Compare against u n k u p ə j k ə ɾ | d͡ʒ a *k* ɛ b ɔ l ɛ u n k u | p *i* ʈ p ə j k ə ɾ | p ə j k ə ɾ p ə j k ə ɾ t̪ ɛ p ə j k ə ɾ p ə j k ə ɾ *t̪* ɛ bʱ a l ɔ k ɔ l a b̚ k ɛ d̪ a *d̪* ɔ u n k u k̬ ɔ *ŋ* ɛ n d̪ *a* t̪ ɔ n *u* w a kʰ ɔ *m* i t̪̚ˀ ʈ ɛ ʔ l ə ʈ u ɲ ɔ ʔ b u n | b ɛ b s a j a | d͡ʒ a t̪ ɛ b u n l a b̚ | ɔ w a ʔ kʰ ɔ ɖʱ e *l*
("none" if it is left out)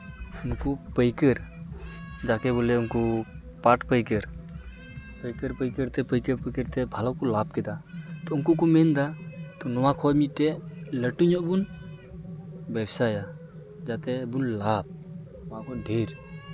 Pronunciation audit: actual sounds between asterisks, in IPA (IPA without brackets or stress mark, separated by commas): k, a, t̪, t̪, m, a, ɔ, m, ɾ